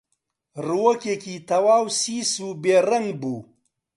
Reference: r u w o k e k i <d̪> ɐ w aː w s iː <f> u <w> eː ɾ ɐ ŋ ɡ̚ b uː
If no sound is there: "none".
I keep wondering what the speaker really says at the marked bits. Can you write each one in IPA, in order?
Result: t̪, s, b

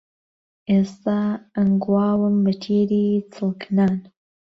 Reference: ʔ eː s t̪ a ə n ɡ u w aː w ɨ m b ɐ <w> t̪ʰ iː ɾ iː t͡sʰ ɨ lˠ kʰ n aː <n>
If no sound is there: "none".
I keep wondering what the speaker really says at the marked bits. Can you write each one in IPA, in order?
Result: none, n

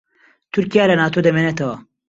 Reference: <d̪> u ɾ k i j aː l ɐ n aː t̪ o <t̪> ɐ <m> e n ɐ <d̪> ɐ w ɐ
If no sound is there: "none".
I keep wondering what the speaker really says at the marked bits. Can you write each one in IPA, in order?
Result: t̪, d̪, m, t̪

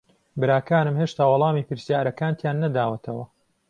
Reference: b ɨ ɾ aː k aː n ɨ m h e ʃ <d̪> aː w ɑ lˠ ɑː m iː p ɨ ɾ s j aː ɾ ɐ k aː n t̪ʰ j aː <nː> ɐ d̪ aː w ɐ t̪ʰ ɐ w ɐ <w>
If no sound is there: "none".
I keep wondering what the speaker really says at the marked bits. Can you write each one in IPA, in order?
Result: t̪, nː, none

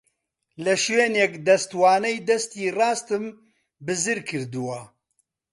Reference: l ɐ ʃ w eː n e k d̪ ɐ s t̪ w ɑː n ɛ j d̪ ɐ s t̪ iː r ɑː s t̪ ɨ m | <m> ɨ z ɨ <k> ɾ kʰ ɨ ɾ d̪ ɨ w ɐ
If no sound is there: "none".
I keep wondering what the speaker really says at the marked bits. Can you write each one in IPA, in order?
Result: b, none

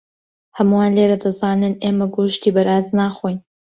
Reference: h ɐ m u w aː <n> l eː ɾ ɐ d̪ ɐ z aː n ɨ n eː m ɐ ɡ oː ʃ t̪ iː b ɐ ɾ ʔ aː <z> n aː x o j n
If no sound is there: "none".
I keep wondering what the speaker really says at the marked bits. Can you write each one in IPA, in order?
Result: n, z

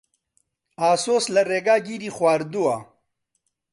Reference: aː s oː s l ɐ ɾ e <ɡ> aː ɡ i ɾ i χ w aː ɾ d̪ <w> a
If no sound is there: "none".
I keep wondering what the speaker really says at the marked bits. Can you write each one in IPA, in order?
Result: ɡ, u

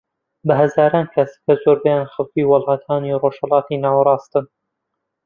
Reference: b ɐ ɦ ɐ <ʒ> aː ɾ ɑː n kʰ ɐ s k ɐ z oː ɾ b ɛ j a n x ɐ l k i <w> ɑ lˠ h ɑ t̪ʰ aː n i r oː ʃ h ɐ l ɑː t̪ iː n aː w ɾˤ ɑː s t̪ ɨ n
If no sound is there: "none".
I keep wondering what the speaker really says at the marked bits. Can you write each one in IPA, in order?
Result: z, w

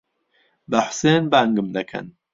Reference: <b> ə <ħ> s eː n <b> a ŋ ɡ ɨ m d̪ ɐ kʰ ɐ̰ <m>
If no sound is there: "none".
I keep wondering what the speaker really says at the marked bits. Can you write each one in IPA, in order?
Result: b, ħ, b, n

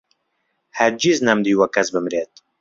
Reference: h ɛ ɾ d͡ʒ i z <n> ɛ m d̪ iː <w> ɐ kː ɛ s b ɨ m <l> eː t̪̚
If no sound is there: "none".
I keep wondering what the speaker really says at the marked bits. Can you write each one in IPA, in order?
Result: n, w, ɾ

